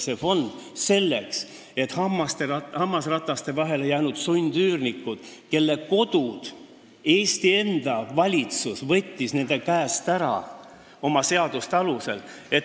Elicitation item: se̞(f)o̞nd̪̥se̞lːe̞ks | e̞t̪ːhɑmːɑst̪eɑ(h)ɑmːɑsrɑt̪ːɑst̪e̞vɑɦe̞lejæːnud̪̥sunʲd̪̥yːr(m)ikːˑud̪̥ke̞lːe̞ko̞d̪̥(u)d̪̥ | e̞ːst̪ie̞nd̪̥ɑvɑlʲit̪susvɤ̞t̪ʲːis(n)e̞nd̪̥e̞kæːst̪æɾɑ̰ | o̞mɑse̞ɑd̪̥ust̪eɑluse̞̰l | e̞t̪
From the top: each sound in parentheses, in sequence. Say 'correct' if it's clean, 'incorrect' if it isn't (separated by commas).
correct, correct, incorrect, correct, correct